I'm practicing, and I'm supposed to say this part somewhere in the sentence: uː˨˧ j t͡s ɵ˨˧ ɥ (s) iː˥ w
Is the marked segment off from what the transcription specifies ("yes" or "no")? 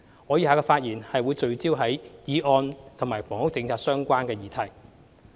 yes